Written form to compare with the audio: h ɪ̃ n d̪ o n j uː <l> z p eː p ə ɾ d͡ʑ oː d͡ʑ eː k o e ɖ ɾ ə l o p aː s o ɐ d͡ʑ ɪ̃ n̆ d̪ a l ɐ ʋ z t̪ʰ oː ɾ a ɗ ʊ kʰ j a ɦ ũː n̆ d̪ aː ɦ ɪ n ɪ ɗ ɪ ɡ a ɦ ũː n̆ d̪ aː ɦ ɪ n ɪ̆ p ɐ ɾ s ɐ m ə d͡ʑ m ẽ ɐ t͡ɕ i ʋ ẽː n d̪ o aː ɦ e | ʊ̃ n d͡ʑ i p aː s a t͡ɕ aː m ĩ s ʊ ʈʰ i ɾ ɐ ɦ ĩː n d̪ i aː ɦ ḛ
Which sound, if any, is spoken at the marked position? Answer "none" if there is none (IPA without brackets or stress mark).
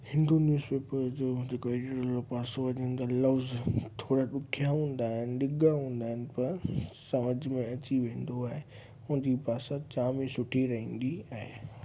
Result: none